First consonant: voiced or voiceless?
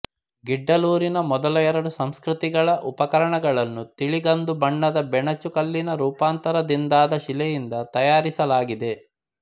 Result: voiced